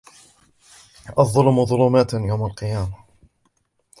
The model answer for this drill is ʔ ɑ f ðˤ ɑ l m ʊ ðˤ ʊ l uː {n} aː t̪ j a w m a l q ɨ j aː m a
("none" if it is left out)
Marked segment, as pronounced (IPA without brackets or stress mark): m